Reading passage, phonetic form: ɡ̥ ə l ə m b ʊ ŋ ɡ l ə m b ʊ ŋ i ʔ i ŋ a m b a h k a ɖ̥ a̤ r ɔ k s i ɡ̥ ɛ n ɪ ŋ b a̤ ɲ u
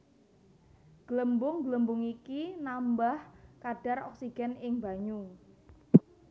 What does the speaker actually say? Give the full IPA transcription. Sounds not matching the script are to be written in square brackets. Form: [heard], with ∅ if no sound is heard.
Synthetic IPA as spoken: ɡ̥ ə l ə m b ʊ ŋ ɡ l ə m b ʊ ŋ i [k] i [n] a m b a h k a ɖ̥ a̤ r ɔ k s i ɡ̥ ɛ n ɪ ŋ b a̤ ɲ u

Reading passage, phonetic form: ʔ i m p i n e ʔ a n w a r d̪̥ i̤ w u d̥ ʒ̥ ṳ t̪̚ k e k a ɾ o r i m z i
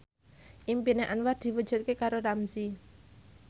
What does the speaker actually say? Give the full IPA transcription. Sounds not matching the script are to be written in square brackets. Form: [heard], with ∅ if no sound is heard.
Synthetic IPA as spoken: ʔ i m p i n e ʔ a n w a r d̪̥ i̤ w u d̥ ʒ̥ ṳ t̪̚ k e k a ɾ o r [a] m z i

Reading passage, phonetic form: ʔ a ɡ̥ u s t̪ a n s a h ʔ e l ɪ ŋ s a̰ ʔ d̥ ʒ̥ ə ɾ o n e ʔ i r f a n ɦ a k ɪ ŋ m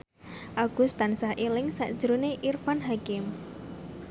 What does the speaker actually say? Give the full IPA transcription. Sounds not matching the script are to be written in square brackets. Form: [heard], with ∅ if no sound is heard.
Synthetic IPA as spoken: ʔ a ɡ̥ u s t̪ a n s a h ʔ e l ɪ ŋ s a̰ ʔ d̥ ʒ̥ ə ɾ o n e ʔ i r f a n ɦ a k ɪ [∅] m

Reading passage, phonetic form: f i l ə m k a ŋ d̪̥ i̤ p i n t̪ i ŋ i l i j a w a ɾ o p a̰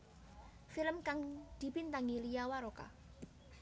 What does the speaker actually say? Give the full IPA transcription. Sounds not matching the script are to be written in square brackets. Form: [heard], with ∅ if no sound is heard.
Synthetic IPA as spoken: f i l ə m k a ŋ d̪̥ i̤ p i n t̪ [a] ŋ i l i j a w a ɾ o [k] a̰

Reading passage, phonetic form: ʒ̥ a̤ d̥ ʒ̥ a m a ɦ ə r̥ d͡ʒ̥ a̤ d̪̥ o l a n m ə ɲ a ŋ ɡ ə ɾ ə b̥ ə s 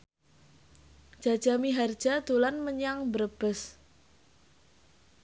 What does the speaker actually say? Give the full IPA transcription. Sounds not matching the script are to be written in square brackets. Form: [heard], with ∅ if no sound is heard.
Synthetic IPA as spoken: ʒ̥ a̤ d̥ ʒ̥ a m [i] ɦ [a] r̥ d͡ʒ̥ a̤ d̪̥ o l a n m ə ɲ a ŋ [b] ə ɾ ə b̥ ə s

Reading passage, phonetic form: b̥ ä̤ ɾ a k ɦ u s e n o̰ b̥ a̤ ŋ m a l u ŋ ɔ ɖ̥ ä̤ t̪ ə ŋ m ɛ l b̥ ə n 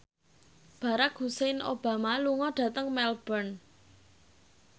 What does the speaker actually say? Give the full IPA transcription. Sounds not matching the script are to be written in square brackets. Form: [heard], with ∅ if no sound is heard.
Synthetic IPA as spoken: b̥ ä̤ ɾ a k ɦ u s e n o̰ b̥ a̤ [∅] m a l u ŋ ɔ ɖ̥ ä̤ t̪ ə ŋ m ɛ l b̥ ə n

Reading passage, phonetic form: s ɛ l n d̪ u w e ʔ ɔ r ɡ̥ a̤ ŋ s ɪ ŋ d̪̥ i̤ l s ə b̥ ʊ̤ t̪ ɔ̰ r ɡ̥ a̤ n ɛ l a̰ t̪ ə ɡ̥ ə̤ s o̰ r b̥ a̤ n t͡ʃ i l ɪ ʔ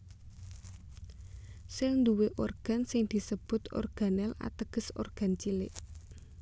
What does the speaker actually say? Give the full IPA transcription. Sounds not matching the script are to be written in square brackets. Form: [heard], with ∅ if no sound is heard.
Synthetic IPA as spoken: s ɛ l n d̪ u w e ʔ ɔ r ɡ̥ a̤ [n] s ɪ ŋ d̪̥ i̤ [∅] s ə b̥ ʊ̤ t̪ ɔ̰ r ɡ̥ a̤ n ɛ l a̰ t̪ ə ɡ̥ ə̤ s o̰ r [ɡ̥] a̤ n t͡ʃ i l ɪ ʔ

